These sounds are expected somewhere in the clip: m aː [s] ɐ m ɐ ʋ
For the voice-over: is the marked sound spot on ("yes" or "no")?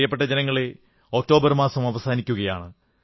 yes